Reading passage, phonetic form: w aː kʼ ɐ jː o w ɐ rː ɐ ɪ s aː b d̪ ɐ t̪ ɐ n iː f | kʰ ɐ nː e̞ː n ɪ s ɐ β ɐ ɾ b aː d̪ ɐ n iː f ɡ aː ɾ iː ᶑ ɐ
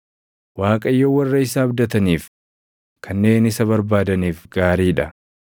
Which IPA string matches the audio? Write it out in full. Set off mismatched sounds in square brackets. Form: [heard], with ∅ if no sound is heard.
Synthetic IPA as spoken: w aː kʼ ɐ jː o w ɐ rː ɐ ɪ s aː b d̪ ɐ t̪ ɐ n iː f | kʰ ɐ nː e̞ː n ɪ s ɐ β ɐ ɾ b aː d̪ ɐ n iː f ɡ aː ɾ iː ᶑ ɐ